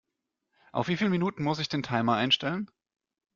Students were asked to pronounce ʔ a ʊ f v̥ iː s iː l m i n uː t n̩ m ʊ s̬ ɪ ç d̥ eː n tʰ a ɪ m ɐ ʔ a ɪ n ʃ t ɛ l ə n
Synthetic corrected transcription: ʔ a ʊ f v̥ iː f iː l m i n uː t n̩ m ʊ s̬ ɪ ç d̥ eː n tʰ a ɪ m ɐ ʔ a ɪ n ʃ t ɛ l ə n